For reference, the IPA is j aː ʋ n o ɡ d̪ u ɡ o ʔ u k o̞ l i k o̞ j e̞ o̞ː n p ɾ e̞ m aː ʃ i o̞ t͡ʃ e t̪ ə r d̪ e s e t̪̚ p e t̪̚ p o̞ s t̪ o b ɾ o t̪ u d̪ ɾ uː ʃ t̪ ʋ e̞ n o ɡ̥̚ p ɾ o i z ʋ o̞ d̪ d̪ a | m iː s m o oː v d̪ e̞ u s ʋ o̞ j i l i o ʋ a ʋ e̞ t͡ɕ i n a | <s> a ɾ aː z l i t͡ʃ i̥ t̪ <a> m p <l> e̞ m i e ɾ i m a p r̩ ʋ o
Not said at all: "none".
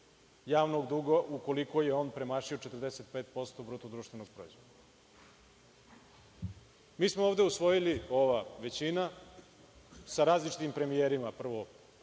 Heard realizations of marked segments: s, i, ɾ

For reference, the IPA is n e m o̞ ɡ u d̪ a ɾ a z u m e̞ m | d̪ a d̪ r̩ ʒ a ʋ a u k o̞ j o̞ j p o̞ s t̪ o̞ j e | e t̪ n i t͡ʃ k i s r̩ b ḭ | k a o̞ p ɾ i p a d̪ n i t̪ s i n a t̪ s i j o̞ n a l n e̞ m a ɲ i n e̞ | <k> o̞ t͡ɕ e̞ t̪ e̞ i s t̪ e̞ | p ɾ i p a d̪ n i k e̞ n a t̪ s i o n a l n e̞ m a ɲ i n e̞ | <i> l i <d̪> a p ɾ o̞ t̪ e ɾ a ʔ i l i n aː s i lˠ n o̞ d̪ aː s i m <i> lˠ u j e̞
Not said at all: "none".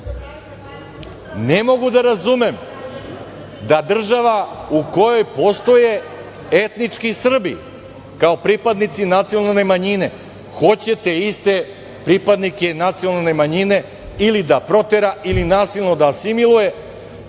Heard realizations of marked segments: x, i, d̪, i

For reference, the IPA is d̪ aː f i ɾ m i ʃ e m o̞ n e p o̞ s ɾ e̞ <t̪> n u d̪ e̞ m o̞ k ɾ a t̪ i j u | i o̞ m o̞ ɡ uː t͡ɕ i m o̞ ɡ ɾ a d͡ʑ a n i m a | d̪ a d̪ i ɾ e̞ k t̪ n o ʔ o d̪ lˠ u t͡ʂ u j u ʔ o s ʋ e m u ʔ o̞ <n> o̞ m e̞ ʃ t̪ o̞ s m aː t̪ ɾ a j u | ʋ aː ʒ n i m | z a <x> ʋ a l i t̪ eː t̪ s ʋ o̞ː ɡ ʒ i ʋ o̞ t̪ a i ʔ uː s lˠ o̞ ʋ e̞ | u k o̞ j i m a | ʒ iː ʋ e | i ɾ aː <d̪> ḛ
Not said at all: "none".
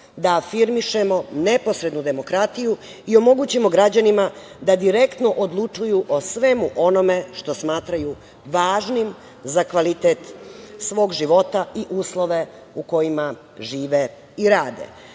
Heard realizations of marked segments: d̪, n, k, d̪

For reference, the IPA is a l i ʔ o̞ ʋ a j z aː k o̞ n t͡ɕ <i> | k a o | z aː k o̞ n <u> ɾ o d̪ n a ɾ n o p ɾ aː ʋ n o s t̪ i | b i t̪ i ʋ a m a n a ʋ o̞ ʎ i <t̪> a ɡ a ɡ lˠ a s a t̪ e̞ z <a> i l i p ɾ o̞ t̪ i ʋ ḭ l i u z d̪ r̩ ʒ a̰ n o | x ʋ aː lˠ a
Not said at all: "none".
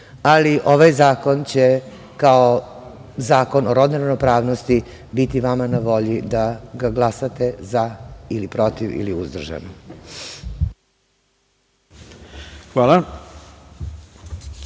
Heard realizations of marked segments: e, o, d̪, a

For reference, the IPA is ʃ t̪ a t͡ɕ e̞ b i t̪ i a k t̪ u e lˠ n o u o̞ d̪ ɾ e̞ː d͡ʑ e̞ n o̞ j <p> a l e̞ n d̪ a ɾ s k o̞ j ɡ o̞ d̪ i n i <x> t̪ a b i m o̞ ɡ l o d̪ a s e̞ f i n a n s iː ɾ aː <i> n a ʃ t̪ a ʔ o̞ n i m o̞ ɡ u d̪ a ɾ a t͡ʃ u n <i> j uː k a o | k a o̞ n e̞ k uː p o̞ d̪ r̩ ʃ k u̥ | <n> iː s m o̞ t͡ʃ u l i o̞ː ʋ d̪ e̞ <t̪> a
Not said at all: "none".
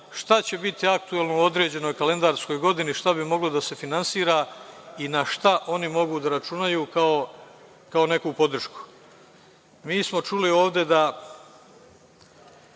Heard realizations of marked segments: k, ʃ, i, a, m, d̪

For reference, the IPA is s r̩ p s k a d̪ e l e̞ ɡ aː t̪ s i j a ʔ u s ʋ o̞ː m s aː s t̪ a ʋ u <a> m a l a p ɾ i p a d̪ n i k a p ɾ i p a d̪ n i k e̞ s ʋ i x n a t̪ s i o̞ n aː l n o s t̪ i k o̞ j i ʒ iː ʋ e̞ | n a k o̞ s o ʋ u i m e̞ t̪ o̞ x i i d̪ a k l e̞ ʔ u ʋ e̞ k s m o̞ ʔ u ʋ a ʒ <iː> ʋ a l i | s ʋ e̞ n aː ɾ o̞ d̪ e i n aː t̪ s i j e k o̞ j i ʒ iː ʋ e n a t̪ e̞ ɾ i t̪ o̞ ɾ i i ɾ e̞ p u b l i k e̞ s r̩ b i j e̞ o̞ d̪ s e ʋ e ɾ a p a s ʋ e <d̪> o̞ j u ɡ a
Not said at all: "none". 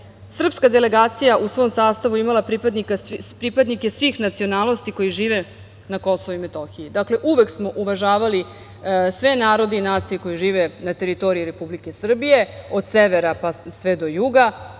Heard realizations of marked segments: i, aː, d̪

